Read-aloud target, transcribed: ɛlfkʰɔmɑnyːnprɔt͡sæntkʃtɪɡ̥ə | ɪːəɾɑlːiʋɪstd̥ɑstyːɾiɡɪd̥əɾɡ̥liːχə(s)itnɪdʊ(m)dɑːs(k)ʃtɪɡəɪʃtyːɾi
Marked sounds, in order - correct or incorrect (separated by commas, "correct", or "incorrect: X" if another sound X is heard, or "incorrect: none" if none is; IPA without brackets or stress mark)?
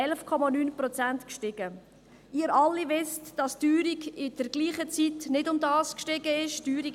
incorrect: t͡s, correct, correct